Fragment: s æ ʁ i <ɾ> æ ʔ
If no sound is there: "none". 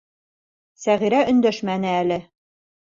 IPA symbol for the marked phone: ɾ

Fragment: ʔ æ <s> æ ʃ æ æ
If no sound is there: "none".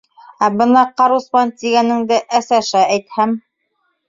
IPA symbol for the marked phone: s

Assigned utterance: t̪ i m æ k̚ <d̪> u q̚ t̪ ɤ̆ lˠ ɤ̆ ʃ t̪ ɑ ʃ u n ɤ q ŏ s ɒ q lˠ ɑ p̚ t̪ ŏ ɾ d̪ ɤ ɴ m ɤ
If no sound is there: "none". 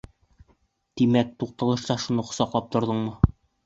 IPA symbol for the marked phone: t̪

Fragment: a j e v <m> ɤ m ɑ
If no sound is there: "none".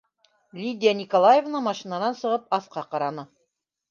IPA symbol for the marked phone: n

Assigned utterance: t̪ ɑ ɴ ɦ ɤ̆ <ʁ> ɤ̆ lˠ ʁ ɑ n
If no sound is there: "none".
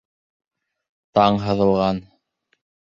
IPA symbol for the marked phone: ð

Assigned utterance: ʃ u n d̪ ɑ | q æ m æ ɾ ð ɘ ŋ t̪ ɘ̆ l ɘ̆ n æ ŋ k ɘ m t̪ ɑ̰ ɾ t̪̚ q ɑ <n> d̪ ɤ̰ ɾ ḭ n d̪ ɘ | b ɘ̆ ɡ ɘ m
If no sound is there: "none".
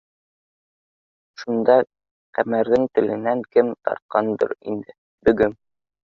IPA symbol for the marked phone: n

